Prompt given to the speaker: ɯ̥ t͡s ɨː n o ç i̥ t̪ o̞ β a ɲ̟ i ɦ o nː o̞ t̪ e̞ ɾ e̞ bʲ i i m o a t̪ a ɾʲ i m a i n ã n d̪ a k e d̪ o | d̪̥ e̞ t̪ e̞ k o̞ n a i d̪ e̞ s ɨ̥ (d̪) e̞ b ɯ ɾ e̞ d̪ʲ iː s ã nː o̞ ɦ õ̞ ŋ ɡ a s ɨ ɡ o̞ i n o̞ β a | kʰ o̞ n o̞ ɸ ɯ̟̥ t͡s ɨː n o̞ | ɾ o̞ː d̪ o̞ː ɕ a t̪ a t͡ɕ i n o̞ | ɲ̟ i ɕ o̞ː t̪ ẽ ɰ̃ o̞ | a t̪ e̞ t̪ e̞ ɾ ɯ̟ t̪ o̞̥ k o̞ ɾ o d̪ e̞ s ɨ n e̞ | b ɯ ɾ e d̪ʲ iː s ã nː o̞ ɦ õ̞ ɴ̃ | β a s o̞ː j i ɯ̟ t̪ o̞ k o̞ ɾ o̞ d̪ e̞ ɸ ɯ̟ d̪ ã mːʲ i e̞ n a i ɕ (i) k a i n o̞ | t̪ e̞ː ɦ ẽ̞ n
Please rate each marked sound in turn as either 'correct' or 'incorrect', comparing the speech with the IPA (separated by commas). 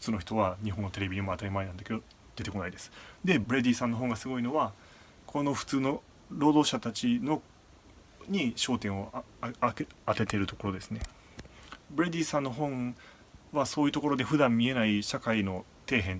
correct, incorrect